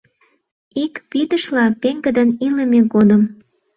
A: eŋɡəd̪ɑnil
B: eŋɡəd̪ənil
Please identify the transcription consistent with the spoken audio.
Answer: B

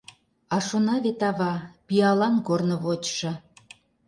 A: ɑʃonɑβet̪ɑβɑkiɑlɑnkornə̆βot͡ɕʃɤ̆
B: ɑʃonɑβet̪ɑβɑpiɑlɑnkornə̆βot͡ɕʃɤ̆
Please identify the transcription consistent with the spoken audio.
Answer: B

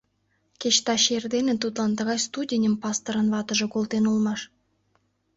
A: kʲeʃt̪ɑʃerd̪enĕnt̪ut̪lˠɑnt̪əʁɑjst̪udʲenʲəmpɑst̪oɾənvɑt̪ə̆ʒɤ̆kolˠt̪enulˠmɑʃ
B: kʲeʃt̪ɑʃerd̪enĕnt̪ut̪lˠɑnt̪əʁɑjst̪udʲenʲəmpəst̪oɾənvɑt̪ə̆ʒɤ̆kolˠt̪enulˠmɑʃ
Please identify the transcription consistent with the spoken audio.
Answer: A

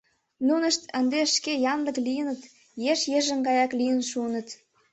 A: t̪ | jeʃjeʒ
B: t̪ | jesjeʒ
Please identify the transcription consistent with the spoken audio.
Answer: A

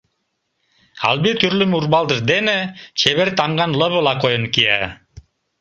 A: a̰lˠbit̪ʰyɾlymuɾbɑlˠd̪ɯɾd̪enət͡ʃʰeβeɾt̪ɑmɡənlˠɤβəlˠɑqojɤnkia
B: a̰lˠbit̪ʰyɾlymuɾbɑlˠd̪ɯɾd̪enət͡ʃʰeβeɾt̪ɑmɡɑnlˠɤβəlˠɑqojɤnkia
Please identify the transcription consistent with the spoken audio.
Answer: B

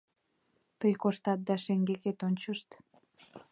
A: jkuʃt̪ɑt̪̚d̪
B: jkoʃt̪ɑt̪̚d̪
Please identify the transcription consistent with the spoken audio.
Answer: B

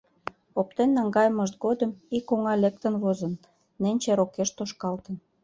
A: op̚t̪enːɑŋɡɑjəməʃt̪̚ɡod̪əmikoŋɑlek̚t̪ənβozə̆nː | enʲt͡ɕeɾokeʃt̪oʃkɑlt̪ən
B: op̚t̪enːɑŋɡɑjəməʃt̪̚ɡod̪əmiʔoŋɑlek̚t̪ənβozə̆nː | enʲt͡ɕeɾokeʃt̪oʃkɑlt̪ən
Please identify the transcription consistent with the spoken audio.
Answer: A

